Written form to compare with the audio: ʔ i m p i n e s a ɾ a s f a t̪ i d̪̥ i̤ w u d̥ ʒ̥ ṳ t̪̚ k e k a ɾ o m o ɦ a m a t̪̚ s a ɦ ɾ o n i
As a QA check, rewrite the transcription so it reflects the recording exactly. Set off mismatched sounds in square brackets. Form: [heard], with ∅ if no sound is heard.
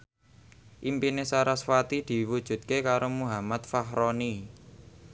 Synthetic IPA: ʔ i m p i n e s a ɾ a s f a t̪ i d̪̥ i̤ w u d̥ ʒ̥ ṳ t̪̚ k e k a ɾ o m [u] ɦ a m a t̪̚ [f] a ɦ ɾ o n i